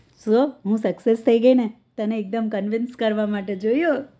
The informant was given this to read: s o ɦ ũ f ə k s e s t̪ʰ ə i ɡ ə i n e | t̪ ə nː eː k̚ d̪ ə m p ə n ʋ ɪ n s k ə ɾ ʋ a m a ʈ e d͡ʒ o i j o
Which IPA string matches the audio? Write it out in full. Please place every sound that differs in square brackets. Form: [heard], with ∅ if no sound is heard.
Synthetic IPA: s o ɦ ũ [s] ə k s e s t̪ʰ ə i ɡ ə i n e | t̪ ə [n] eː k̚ d̪ ə m [k] ə n ʋ ɪ n s k ə ɾ ʋ a m a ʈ e d͡ʒ o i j o